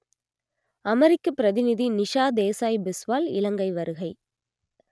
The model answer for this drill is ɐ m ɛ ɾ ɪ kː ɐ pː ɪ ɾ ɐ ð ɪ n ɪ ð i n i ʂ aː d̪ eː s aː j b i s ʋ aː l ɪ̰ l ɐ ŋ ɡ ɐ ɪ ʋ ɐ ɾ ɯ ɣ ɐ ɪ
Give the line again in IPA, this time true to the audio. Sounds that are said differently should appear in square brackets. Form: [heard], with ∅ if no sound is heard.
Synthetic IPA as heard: ɐ m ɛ ɾ ɪ kː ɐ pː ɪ ɾ ɐ ð ɪ n ɪ ð i n [ɪ] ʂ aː d̪ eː s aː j b [ɪ] s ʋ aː l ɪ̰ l ɐ ŋ ɡ ɐ ɪ ʋ ɐ ɾ ɯ ɣ ɐ ɪ